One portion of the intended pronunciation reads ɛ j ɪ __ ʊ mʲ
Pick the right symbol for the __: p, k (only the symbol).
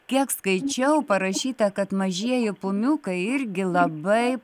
p